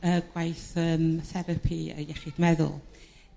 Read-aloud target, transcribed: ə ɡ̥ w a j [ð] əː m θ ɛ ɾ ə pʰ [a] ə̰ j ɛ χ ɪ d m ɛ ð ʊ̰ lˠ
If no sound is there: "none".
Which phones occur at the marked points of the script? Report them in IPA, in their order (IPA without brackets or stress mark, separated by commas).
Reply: θ, i